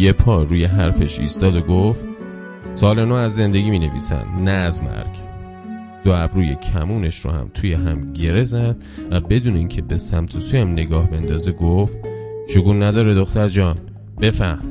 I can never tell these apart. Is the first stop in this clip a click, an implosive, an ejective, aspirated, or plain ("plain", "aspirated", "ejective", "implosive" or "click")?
aspirated